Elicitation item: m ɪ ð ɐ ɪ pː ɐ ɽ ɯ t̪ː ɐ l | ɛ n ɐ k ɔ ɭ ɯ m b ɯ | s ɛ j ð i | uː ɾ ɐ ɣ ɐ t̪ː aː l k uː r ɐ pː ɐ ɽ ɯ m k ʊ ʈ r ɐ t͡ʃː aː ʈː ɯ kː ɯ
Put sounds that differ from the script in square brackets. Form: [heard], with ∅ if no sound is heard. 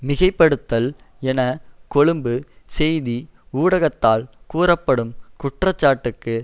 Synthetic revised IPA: m ɪ [ɣ] ɐ ɪ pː ɐ ɽ ɯ t̪ː ɐ l | ɛ n ɐ k ɔ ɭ ɯ m b ɯ | s ɛ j ð i | uː [ɽ] ɐ ɣ ɐ t̪ː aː l k uː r ɐ pː ɐ ɽ ɯ m k ʊ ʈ r ɐ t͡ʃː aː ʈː ɯ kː ɯ